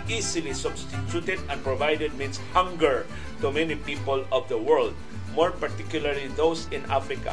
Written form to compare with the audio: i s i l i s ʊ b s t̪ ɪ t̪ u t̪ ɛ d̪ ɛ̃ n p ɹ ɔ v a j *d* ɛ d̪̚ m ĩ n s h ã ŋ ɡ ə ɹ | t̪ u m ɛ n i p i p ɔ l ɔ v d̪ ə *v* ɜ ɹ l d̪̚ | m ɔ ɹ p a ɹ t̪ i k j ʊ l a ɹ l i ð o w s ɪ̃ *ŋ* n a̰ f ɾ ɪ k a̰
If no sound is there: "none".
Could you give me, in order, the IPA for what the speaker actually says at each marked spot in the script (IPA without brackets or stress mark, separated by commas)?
d, w, none